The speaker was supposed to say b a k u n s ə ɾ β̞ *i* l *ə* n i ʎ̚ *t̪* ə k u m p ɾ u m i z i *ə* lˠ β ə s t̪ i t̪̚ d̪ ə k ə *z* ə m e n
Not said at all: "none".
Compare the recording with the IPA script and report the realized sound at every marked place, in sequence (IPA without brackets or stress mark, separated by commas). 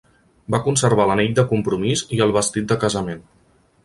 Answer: a, ə, d̪, ə, z